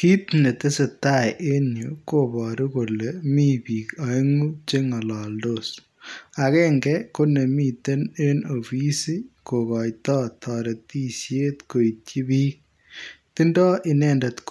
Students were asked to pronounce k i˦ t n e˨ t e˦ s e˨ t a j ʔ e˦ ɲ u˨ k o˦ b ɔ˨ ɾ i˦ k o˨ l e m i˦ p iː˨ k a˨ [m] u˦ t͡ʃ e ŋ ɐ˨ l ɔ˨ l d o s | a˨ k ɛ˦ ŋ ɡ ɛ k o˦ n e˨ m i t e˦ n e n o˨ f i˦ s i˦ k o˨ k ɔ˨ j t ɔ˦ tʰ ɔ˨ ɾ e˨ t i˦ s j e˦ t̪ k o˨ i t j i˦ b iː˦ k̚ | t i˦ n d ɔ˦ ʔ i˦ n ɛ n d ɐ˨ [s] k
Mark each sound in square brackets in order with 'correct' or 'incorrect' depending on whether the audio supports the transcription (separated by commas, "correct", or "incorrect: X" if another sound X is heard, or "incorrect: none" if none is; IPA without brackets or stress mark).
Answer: incorrect: ŋ, incorrect: t